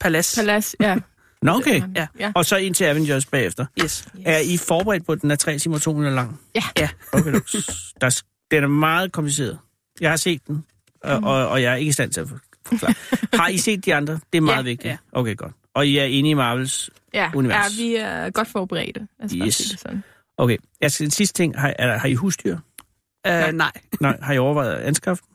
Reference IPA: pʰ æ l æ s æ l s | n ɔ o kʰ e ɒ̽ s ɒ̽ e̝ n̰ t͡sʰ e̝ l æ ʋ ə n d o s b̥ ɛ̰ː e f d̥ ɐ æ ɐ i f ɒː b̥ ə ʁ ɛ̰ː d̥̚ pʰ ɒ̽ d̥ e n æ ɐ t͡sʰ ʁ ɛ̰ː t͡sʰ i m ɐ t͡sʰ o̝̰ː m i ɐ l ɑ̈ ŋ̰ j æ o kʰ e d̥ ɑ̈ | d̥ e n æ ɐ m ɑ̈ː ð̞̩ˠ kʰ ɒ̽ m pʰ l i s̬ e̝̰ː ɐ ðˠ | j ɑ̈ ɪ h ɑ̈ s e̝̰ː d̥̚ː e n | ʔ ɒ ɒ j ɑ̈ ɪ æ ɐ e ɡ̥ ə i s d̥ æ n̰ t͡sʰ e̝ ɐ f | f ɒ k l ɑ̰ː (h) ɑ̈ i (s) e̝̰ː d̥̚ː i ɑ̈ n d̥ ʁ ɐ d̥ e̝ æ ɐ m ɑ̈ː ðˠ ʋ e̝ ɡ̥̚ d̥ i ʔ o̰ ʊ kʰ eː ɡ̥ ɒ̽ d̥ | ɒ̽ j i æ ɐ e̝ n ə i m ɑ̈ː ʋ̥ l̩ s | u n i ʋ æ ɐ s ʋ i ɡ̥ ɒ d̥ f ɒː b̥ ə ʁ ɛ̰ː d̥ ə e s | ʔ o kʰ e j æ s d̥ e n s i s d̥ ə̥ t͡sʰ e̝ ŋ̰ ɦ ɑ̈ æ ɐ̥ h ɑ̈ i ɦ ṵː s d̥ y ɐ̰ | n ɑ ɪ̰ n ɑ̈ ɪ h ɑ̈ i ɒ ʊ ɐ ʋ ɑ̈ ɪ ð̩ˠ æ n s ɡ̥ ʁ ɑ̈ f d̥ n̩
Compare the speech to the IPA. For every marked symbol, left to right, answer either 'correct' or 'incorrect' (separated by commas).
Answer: correct, correct